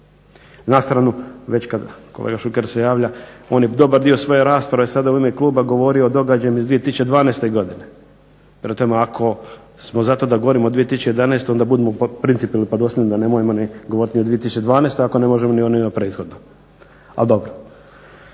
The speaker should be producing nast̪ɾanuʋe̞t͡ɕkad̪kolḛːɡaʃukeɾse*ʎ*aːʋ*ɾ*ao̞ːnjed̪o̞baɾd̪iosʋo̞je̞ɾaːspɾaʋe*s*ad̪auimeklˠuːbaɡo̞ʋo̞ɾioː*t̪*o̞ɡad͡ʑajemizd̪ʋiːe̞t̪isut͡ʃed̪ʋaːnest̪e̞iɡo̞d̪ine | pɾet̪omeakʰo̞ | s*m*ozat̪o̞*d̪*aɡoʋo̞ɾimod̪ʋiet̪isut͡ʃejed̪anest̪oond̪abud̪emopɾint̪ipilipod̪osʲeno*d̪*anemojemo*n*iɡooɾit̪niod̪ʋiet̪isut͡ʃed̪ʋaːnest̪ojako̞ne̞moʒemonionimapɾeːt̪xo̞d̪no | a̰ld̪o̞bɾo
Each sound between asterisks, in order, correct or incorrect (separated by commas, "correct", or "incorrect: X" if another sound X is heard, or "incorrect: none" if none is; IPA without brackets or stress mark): incorrect: j, incorrect: ʎ, correct, incorrect: d̪, correct, correct, correct, correct